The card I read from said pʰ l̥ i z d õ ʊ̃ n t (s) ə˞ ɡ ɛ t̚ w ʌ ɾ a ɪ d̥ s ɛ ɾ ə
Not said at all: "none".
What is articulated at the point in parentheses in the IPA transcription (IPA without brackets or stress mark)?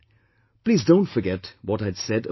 f